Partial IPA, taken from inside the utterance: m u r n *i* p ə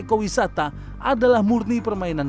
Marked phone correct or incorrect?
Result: correct